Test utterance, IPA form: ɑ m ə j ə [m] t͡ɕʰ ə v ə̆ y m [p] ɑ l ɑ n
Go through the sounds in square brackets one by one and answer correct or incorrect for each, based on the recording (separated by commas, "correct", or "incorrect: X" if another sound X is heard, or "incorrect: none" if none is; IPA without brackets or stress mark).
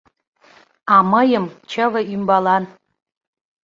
correct, incorrect: b